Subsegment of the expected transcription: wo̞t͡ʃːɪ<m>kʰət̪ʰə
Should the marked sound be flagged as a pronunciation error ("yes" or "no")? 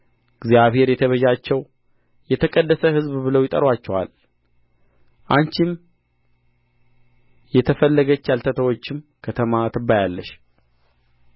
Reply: no